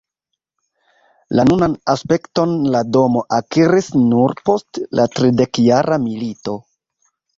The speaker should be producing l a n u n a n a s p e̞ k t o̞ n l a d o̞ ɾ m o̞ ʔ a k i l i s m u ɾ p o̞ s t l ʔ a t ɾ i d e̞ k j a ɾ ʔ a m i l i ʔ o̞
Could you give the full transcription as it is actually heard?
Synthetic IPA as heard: l a n u n a n a s p e̞ k t o̞ n l a d o̞ m o̞ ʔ a k i ɾ i s n u ɾ p o̞ s t l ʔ a t ɾ i d e̞ k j a ɾ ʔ a m i l i t o̞